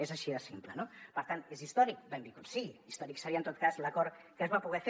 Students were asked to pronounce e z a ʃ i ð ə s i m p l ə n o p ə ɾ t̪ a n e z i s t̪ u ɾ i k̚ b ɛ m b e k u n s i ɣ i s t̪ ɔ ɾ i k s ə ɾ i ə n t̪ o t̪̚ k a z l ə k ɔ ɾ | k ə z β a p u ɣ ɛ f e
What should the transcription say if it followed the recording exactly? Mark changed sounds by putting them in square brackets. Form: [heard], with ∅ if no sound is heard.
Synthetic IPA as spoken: e z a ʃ i ð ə s i m p l ə n o p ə ɾ t̪ a n e z i s t̪ [ɔ] ɾ i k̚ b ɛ m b [i] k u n s i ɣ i s t̪ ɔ ɾ i k s ə ɾ i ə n t̪ o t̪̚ k a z l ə k ɔ ɾ | k ə z β a p u ɣ ɛ f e